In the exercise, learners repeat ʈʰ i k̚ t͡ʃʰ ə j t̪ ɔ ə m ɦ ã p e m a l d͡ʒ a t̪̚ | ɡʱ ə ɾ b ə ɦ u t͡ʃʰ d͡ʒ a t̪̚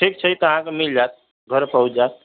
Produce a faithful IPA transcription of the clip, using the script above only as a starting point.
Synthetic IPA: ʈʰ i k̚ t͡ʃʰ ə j t̪ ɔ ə ɦ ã k e m i l d͡ʒ a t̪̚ | ɡʱ ə ɾ p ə ɦ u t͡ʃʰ d͡ʒ a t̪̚